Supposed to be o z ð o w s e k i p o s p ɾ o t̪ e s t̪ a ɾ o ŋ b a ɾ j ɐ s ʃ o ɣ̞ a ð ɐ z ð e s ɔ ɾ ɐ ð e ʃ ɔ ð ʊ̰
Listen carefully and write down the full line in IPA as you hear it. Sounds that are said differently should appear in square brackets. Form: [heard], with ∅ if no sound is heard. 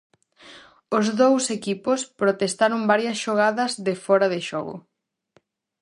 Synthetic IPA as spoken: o z ð o w s e k i p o s p ɾ o t̪ e s t̪ a ɾ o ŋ b a ɾ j ɐ s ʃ o ɣ̞ a ð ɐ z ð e [f] ɔ ɾ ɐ ð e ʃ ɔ [ɣ] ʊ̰